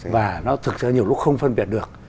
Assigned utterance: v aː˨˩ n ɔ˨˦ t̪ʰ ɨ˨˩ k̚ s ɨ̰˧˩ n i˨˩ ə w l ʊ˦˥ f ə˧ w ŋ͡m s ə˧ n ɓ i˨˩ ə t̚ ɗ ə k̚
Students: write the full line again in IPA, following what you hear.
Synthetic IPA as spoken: v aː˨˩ n ɔ˨˦ t̪ʰ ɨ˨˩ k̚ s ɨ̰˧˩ ɲ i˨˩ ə w l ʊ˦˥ x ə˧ w ŋ͡m f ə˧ n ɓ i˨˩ ə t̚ ɗ ə k̚